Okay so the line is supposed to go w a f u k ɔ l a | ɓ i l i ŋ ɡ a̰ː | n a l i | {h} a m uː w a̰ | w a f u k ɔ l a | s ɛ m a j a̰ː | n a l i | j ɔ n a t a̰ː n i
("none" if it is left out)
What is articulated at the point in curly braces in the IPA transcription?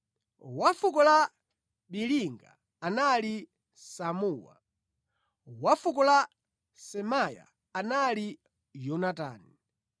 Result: s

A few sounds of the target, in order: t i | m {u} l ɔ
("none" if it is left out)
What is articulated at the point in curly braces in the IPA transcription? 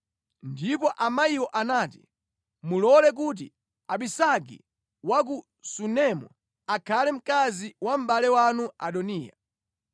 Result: u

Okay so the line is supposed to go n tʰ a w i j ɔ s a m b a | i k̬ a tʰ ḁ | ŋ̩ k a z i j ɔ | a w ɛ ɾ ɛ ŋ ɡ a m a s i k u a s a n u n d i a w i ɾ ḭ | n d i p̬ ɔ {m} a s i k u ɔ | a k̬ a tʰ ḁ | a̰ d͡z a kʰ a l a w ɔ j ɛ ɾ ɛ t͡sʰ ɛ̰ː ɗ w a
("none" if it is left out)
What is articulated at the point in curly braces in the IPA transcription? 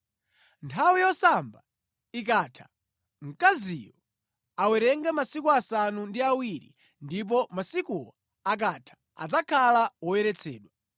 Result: m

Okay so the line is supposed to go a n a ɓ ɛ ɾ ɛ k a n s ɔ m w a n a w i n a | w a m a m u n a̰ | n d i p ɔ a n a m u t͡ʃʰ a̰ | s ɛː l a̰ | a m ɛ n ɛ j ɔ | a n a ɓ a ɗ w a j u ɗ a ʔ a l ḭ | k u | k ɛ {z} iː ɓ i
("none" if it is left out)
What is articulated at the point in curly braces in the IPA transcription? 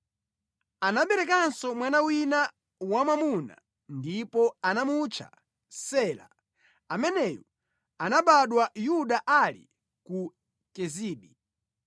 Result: z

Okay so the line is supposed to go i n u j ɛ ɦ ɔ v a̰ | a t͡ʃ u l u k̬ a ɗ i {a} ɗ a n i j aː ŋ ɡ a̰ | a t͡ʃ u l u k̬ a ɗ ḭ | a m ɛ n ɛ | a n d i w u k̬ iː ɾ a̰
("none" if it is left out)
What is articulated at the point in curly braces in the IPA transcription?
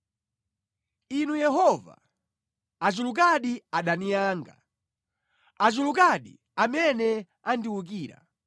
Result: a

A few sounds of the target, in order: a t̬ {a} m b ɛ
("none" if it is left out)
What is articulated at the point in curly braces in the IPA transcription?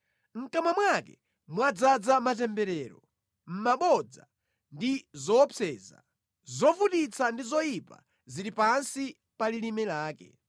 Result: ɛ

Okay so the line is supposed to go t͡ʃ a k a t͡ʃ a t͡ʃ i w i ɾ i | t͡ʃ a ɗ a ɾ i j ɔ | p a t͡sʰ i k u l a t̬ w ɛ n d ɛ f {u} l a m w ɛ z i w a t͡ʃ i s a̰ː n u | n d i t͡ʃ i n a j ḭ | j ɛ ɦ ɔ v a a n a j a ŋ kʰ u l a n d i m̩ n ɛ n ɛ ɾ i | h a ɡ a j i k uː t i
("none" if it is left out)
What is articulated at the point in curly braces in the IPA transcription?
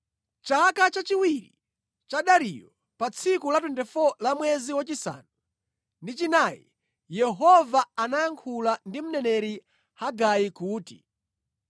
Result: ɔ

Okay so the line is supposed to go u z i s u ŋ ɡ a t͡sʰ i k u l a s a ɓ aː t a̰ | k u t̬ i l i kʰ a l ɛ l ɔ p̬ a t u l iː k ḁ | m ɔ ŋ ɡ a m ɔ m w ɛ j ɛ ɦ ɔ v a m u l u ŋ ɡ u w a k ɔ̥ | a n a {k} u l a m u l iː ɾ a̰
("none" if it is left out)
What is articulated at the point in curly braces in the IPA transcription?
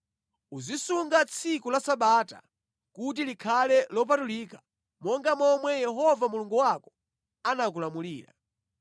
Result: k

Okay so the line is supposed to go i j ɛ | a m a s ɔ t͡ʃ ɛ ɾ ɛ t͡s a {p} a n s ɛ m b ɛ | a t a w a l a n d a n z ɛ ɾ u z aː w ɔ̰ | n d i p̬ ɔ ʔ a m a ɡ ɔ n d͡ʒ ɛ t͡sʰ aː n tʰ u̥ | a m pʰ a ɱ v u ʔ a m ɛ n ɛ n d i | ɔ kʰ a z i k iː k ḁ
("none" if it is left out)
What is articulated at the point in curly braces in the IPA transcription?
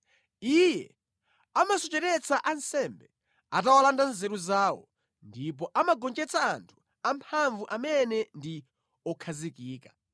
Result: ʔ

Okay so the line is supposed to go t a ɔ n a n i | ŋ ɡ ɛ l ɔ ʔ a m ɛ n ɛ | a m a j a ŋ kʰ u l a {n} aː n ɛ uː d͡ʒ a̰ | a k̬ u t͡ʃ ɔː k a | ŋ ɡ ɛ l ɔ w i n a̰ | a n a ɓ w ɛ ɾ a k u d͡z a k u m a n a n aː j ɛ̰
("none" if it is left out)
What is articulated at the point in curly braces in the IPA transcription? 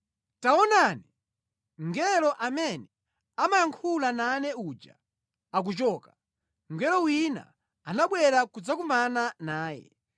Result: n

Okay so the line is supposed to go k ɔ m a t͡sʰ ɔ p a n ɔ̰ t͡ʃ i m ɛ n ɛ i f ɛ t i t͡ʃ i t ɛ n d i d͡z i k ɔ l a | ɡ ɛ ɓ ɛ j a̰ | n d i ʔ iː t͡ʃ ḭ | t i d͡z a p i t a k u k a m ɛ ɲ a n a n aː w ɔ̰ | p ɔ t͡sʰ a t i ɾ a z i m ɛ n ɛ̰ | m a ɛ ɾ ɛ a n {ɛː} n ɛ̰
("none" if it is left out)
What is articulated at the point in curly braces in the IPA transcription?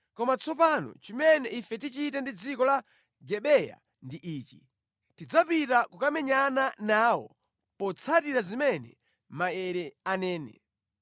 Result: ɛː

